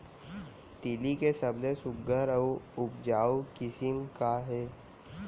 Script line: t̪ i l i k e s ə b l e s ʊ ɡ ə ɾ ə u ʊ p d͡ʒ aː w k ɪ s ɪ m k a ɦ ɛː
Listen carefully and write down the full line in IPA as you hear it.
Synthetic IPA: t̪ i l i k e s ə b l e s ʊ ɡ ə ɾ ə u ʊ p d͡ʒ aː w k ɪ s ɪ m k a ɦ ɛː